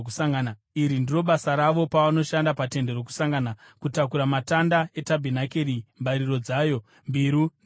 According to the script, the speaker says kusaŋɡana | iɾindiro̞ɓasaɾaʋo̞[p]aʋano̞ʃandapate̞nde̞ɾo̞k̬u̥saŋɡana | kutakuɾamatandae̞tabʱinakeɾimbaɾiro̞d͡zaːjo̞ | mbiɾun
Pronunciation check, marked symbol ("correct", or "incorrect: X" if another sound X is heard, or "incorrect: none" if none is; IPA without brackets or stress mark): correct